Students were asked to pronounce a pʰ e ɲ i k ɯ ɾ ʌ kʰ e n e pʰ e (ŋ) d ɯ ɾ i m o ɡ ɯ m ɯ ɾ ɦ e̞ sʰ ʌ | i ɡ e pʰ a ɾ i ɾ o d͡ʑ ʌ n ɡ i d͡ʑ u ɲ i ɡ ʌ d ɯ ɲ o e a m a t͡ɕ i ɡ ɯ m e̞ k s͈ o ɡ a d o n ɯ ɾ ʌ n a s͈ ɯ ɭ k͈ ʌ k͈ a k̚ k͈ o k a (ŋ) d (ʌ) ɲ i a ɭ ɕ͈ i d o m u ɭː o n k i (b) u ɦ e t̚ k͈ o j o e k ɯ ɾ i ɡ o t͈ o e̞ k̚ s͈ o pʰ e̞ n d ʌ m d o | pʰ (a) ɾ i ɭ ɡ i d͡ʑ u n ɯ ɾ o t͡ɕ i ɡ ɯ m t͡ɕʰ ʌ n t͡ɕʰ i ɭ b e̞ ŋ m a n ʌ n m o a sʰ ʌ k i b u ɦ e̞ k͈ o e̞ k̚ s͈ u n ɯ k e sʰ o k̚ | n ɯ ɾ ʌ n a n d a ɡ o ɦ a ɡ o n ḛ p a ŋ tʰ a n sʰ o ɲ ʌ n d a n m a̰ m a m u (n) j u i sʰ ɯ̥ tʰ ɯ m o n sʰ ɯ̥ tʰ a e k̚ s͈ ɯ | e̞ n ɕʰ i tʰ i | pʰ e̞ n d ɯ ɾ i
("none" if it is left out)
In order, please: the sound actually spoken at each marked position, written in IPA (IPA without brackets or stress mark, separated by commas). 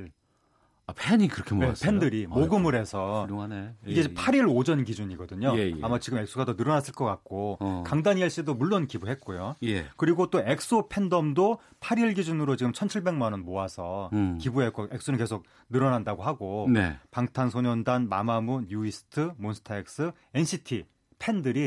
n, ŋ, a, b, a, n